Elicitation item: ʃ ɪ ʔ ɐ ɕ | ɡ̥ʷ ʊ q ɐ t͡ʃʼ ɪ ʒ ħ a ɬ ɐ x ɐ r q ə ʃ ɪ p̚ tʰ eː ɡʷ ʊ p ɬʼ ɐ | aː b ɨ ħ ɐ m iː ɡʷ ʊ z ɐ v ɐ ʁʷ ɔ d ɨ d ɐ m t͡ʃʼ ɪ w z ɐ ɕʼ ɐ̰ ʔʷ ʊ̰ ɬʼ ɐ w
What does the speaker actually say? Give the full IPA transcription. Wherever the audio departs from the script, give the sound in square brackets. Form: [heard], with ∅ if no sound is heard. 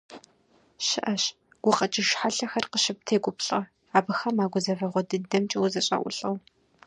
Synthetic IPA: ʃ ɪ ʔ ɐ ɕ | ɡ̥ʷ ʊ q ɐ t͡ʃʼ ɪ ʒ ħ a ɬ ɐ x ɐ r q ə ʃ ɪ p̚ tʰ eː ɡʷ ʊ p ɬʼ ɐ | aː b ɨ [x] ɐ m [aː] ɡʷ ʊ z ɐ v ɐ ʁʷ ɔ d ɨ d ɐ m t͡ʃʼ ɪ w z ɐ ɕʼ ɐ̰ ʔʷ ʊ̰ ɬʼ ɐ w